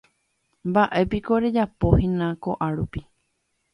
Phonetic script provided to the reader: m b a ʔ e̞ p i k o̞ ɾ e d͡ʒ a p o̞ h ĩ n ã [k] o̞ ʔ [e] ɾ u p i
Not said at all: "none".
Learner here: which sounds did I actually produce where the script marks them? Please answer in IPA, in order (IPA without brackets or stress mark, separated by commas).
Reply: k, a